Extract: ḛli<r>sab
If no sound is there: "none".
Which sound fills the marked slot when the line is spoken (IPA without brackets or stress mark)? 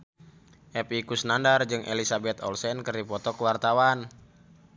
none